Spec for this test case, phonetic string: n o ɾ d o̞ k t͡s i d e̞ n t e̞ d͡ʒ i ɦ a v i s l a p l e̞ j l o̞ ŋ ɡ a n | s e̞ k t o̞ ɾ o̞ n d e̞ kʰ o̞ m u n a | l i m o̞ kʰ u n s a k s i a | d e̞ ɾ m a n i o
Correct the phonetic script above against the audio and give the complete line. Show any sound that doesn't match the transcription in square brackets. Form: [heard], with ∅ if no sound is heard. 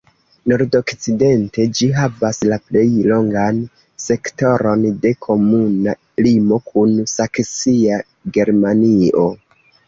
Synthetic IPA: n o ɾ d o̞ k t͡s i d e̞ n t e̞ d͡ʒ i ɦ a v [a] s l a p l e̞ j l o̞ ŋ ɡ a n | s e̞ k t o̞ ɾ o̞ n d e̞ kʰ o̞ m u n a | l i m o̞ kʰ u n s a k s i a | [ɡ] e̞ ɾ m a n i o

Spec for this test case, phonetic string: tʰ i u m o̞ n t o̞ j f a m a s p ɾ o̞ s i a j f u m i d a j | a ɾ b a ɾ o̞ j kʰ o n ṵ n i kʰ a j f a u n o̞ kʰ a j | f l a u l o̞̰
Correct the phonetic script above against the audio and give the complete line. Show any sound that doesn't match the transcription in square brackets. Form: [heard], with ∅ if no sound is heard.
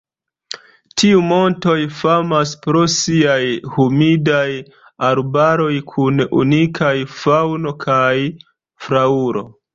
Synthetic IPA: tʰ i u m o̞ n t o̞ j f a m a s p ɾ o̞ s i a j [h] u m i d a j | a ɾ b a ɾ o̞ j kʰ [u] n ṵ n i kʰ a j f a [w] n o̞ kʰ a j | f [ɾ] a u [ɾ] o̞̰

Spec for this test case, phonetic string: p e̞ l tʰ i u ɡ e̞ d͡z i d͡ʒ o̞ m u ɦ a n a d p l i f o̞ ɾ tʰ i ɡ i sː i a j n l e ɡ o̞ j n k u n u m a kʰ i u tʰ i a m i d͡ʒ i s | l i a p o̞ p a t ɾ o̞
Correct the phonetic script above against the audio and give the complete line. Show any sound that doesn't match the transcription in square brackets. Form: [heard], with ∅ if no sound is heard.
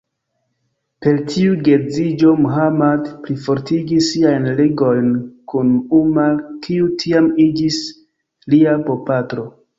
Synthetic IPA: p e̞ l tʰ i u ɡ e̞ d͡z i d͡ʒ o̞ m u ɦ a [m] a d p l i f o̞ ɾ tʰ i ɡ i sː i a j n l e ɡ o̞ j n k u n u m a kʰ i u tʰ i a m i d͡ʒ i s | l i a p o̞ p a t ɾ o̞

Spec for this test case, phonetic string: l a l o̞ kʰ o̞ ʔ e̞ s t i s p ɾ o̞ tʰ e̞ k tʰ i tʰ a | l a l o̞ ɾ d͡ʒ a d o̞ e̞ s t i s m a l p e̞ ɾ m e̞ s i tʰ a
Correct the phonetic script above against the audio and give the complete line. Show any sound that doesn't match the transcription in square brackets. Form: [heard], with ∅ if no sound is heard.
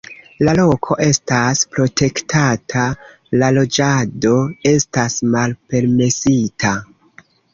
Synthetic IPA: l a l o̞ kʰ o̞ ʔ e̞ s t [a] s p ɾ o̞ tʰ e̞ k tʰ [a] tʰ a | l a l o̞ [∅] d͡ʒ a d o̞ e̞ s t [a] s m a l p e̞ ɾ m e̞ s i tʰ a

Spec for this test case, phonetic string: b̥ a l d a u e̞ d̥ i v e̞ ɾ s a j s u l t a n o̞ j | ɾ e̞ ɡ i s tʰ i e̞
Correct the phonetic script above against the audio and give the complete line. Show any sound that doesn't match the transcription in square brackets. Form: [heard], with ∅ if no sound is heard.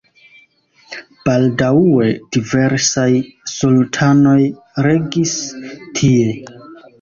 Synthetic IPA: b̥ a l d a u e̞ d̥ i v e̞ ɾ s a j s u l [tʰ] a n o̞ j | ɾ e̞ ɡ i s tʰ i e̞

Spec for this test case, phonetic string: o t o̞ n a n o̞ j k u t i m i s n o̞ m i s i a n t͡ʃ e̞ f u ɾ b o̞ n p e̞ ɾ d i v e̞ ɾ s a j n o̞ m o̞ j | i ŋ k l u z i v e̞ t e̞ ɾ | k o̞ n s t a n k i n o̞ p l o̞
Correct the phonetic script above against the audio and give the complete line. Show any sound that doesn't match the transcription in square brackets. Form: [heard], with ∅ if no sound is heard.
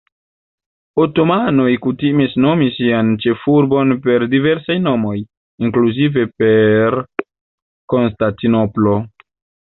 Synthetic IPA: o t o̞ [m] a n o̞ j k u t i m i s n o̞ m i s i a n t͡ʃ e̞ f u ɾ b o̞ n p e̞ ɾ d i v e̞ ɾ s a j n o̞ m o̞ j | i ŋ k l u z i v e̞ [p] e̞ ɾ | k o̞ n s t a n [t] i n o̞ p l o̞

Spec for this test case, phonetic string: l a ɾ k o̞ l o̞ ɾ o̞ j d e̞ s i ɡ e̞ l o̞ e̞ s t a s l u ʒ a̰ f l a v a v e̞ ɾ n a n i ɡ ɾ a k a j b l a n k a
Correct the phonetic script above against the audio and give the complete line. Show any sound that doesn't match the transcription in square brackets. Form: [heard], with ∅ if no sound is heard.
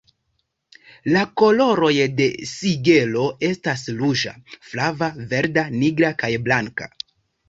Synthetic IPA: l a [∅] k o̞ l o̞ ɾ o̞ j d e̞ s i ɡ e̞ l o̞ e̞ s t a s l u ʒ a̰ f l a v a v e̞ ɾ [d] a n i ɡ ɾ a k a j b l a [ŋ] k a

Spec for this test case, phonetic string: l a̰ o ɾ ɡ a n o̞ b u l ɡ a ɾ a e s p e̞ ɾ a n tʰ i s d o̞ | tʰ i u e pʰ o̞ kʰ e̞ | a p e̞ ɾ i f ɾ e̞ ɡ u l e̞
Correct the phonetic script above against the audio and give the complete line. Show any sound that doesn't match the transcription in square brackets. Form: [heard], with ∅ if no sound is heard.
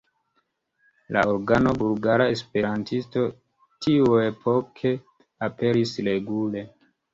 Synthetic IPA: l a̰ o ɾ ɡ a n o̞ b u l ɡ a ɾ a e s p e̞ ɾ a n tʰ i s [t] o̞ | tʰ i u e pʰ o̞ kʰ e̞ | a p e̞ ɾ i [s] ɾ e̞ ɡ u l e̞

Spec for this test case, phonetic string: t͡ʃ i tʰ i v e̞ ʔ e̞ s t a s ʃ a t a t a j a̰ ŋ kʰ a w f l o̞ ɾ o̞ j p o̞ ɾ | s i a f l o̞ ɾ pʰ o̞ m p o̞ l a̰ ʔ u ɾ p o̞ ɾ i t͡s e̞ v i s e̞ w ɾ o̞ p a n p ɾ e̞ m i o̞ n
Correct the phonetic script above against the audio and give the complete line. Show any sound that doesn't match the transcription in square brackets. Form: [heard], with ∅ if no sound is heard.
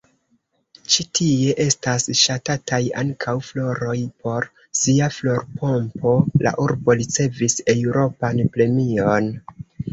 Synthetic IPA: t͡ʃ i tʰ i [∅] e̞ ʔ e̞ s t a s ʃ a t a t a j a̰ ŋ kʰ a w f l o̞ ɾ o̞ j p o̞ ɾ | s i a f l o̞ ɾ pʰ o̞ m p o̞ l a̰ ʔ u ɾ [b] o̞ ɾ i t͡s e̞ v i s e̞ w ɾ o̞ p a n p ɾ e̞ m i o̞ n

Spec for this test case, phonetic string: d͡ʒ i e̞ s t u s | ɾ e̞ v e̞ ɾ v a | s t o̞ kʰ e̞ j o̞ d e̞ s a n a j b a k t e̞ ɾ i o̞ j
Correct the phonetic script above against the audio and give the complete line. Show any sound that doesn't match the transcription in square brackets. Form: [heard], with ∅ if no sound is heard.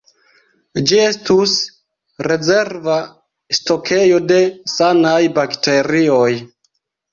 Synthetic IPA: d͡ʒ i e̞ s t u s | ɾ e̞ [z] e̞ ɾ v a | s t o̞ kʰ e̞ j o̞ d e̞ s a n a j b a k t e̞ ɾ i o̞ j

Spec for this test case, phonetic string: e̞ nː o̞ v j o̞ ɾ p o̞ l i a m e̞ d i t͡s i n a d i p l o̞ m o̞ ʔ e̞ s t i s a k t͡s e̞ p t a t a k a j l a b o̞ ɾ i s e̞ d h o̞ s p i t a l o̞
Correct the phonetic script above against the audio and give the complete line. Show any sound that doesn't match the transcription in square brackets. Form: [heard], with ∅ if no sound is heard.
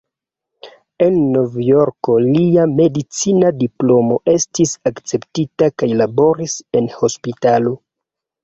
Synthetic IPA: e̞ nː o̞ v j o̞ ɾ [k] o̞ l i a m e̞ d i t͡s i n a d i p l o̞ m o̞ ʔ e̞ s t i s a k t͡s e̞ p t [i] t a k a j l a b o̞ ɾ i s e̞ [n] h o̞ s p i t a l o̞

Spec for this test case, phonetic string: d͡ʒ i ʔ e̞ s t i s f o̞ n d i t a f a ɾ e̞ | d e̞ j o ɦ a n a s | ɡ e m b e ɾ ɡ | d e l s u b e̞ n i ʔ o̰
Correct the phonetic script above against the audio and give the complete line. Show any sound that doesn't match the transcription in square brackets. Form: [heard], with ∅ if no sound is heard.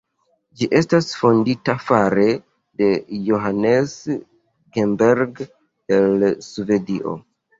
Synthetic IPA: d͡ʒ i ʔ e̞ s t [a] s f o̞ n d i t a f a ɾ e̞ | d e̞ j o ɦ a n [e] s | ɡ e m b e ɾ ɡ | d e l s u [v] e̞ [d] i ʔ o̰

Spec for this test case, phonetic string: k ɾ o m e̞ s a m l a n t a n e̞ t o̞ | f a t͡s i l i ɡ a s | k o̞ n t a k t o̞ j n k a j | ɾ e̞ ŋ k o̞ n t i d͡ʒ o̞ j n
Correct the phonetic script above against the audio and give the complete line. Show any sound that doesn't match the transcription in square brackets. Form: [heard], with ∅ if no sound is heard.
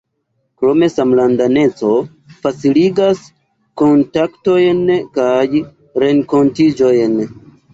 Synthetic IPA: k ɾ o m e̞ s a m l a n [d] a n e̞ [t͡s] o̞ | f a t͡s i l i ɡ a s | k o̞ n t a k t o̞ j n k a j | ɾ e̞ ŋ k o̞ n t i d͡ʒ o̞ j n

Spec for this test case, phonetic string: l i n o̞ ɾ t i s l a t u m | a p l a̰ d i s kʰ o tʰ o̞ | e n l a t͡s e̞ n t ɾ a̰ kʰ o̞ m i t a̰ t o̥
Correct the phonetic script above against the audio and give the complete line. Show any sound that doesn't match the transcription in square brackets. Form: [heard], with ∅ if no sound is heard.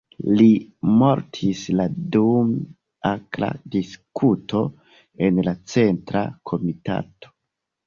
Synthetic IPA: l i [m] o̞ ɾ [tʰ] i s l a [d] u m | a [k] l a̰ d i s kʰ [u] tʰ o̞ | e n l a t͡s e̞ n t ɾ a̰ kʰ o̞ m i t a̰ t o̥

